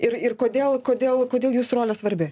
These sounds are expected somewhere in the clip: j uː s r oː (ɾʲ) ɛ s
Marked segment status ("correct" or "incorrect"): incorrect